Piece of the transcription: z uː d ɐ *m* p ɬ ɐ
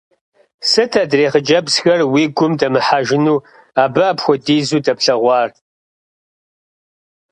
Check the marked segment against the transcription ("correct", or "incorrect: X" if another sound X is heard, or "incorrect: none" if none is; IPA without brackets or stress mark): incorrect: none